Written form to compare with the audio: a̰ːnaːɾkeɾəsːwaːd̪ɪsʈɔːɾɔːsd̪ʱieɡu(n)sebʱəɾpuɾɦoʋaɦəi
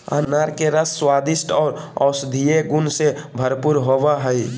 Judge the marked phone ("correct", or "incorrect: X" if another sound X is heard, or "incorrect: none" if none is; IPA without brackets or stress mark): correct